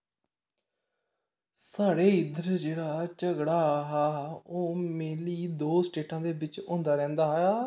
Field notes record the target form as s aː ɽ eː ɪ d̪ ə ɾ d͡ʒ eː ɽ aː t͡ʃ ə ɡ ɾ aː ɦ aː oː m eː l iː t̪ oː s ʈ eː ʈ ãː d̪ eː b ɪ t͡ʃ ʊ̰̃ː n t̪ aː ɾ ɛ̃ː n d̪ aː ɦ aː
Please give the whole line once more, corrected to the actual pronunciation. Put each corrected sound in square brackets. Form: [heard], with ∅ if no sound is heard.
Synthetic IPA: s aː ɽ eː ɪ d̪ ə ɾ d͡ʒ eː ɽ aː t͡ʃ ə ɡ [ɽ] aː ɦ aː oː m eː l iː [d̪] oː s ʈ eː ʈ ãː d̪ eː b ɪ t͡ʃ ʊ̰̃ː n [d̪] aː ɾ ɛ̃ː n d̪ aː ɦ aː